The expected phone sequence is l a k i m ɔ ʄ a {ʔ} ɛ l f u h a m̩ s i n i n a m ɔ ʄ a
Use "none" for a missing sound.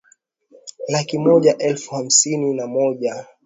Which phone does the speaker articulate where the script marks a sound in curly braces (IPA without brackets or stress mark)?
ʔ